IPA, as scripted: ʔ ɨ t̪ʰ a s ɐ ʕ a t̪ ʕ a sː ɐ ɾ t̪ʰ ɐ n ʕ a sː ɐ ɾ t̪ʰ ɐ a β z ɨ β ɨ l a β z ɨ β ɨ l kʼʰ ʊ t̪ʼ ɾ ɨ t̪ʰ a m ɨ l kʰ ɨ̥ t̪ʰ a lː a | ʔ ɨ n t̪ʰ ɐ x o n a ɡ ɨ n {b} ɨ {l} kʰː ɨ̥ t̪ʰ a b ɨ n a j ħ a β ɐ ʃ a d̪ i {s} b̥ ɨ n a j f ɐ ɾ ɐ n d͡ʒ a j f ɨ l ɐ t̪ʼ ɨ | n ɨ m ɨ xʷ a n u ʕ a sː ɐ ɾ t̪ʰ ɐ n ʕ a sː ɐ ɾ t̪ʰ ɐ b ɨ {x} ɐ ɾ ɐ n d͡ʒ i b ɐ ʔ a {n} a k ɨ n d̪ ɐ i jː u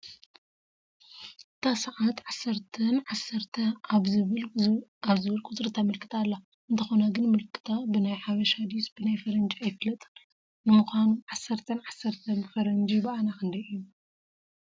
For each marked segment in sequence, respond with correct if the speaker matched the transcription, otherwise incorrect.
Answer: incorrect: m, correct, correct, incorrect: f, correct

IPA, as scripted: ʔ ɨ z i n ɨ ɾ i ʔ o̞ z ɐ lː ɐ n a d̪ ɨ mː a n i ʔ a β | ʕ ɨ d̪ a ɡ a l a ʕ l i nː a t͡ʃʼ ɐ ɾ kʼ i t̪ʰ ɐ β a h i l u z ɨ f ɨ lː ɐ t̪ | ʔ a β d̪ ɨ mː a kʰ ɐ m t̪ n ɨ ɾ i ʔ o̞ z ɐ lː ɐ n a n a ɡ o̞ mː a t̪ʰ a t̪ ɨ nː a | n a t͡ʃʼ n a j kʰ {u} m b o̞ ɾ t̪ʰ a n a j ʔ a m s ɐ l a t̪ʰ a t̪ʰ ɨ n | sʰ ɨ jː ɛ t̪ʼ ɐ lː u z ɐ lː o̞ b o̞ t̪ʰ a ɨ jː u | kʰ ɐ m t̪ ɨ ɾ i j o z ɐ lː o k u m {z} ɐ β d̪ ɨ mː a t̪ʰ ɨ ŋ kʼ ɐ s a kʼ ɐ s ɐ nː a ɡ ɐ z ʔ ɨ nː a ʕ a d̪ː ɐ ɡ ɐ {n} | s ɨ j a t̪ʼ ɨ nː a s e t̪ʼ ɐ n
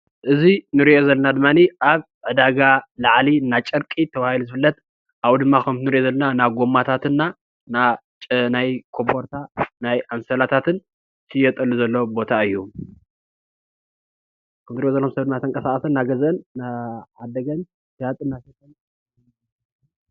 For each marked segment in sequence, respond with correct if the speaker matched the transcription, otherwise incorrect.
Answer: incorrect: o, incorrect: s, correct

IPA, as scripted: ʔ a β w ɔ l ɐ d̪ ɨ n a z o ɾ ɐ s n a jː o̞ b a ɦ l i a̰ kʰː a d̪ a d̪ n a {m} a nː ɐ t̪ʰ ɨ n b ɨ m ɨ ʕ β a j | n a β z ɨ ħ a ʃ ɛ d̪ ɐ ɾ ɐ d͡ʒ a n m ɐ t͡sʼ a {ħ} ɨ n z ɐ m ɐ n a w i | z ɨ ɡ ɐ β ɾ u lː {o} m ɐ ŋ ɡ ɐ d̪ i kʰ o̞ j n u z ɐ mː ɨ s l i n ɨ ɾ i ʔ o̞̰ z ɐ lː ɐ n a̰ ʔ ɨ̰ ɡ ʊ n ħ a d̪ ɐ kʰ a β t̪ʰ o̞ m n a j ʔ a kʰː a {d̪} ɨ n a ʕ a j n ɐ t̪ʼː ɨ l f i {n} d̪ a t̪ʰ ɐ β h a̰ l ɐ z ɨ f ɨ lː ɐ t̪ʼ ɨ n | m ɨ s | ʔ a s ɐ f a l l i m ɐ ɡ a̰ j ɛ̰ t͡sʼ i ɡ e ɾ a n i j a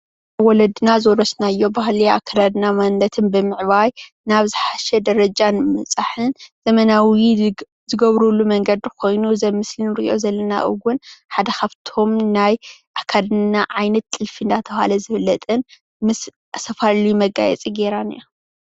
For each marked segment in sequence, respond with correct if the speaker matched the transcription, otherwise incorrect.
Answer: correct, correct, incorrect: u, correct, correct

